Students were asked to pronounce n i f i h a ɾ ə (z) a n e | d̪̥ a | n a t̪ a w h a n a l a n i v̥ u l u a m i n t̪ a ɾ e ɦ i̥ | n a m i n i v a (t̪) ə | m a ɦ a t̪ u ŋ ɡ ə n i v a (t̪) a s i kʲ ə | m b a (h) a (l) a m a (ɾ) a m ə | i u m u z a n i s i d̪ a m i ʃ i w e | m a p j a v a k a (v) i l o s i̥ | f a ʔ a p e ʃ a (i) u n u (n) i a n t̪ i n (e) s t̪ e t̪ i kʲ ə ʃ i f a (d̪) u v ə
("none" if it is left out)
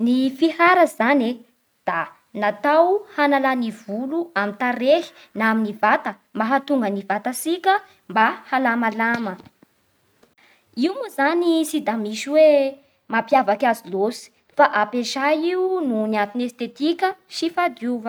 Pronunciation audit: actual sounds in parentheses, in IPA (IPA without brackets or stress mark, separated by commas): z, t̪, t̪, h, l, l, z, i, n, e, d̪